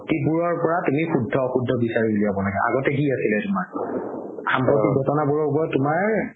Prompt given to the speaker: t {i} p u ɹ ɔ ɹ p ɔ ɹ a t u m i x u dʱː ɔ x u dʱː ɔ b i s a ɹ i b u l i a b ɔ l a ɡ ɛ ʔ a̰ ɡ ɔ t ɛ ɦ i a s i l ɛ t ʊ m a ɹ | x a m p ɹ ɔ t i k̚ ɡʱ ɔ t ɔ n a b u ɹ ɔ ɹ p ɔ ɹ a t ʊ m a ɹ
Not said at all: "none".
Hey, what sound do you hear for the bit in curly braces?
i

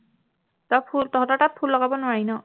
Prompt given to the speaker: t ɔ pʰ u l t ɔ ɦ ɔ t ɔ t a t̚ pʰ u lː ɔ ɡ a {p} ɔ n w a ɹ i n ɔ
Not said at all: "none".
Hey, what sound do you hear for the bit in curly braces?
b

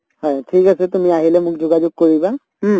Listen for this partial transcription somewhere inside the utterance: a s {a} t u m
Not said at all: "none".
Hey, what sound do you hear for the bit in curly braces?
ɛ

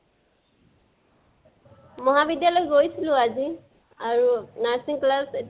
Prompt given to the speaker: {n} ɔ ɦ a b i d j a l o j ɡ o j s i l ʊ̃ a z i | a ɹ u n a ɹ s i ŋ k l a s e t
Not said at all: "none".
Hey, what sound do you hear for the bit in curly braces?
m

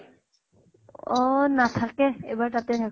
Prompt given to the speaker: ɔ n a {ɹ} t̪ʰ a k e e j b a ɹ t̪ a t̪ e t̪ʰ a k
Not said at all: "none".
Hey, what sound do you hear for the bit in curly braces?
none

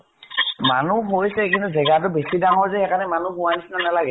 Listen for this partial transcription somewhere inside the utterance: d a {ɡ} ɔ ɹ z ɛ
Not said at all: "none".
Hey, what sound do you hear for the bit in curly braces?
ŋ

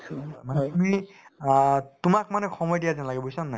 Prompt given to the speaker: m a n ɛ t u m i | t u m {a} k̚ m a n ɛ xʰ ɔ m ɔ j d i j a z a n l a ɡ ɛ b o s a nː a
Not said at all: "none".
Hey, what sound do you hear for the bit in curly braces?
a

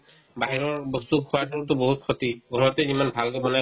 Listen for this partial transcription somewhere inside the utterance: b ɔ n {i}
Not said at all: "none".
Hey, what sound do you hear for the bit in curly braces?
a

